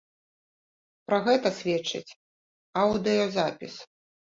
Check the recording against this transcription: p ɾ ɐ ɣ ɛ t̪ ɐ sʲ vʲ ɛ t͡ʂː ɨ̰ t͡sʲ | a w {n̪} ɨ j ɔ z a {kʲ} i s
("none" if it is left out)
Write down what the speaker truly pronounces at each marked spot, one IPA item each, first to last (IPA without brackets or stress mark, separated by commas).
d̪, pʲ